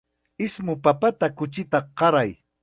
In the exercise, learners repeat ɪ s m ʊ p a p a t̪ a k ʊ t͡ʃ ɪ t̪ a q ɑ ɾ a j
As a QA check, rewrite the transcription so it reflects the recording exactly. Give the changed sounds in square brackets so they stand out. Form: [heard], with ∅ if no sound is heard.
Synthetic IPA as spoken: ɪ s m ʊ p a p a t̪ a k ʊ t͡ʃ ɪ t̪ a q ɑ ɾ a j